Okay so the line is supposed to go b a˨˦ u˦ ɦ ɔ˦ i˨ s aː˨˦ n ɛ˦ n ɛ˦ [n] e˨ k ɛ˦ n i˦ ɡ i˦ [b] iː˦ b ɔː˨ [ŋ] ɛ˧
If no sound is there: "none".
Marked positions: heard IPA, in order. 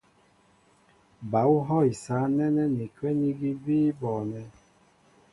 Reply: n, b, n

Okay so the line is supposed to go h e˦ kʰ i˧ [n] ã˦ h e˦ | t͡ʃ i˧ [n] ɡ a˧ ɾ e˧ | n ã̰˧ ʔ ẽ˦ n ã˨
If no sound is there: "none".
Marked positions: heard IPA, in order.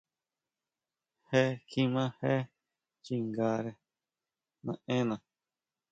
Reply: m, ŋ

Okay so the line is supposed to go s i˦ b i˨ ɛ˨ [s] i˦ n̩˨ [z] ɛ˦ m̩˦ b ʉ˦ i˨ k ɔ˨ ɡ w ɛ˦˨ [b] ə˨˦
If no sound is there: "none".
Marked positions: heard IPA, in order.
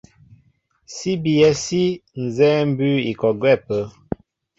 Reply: s, z, p

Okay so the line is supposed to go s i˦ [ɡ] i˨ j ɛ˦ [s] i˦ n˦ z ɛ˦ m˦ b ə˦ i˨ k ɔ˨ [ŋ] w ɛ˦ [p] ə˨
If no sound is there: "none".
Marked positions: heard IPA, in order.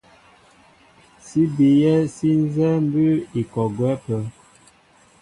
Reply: b, s, ɡ, p

